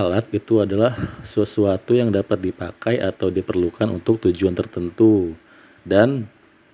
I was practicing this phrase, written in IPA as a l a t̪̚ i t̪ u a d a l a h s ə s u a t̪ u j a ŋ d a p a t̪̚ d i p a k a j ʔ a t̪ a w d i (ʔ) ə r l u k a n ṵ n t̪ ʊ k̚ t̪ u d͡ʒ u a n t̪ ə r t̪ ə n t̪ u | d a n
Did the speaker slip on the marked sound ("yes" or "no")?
yes